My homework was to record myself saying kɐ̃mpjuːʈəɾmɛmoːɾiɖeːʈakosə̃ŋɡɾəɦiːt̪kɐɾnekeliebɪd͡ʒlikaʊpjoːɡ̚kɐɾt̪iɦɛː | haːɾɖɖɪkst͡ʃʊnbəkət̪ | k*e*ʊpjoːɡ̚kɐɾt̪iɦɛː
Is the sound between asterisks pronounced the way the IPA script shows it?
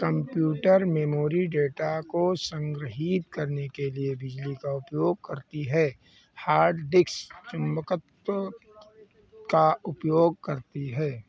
no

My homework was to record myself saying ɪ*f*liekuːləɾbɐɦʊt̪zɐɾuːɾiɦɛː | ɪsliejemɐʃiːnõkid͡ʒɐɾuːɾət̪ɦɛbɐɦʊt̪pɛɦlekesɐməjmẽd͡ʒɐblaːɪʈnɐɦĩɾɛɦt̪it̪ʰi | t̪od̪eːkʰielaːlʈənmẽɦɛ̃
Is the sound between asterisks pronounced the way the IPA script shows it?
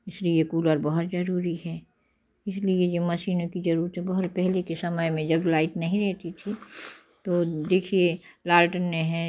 no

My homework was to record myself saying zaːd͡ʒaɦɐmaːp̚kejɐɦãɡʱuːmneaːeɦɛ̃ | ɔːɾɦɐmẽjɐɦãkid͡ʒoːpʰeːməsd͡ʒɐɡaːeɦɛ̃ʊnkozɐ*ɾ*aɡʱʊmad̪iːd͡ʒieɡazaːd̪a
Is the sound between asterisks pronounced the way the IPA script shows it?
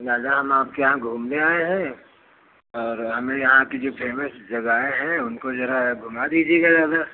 yes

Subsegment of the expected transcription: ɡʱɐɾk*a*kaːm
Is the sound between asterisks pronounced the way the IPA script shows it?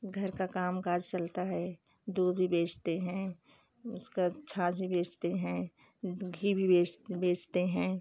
yes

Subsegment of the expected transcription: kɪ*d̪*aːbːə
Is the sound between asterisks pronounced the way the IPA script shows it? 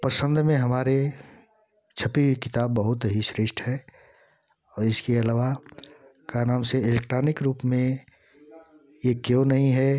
no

